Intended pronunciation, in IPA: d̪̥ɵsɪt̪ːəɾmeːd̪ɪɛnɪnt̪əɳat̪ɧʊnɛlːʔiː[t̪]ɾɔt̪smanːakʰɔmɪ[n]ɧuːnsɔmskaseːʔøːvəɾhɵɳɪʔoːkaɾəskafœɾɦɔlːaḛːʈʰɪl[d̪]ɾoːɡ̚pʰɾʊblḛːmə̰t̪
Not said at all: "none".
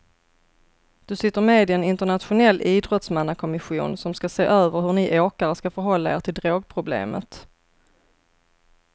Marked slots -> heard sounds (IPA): d̪, none, d̪

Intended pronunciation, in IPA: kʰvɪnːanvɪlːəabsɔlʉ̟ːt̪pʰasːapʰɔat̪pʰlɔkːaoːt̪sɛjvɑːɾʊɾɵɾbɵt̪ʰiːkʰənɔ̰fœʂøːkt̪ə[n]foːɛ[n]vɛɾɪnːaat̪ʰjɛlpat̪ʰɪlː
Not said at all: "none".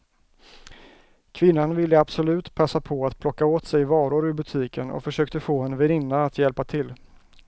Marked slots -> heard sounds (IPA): none, n

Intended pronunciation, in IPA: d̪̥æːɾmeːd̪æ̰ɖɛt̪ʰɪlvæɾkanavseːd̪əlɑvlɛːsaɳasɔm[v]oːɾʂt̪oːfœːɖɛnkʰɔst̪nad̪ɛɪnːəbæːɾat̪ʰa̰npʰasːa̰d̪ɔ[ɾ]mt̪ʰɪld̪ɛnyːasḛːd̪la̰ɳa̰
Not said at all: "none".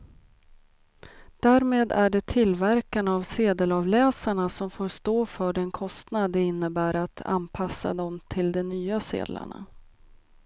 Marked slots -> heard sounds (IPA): f, none

